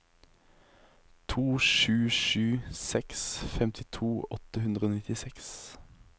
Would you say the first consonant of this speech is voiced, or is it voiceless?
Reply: voiceless